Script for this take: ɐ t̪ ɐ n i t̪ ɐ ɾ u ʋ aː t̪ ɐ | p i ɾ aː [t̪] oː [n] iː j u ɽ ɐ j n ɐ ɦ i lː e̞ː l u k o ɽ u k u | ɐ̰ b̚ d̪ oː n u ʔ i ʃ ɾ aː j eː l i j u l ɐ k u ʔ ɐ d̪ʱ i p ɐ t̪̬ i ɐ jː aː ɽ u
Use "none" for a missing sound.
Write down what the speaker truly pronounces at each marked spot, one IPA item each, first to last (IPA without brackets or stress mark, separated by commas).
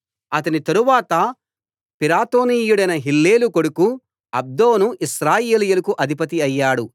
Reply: t̪, n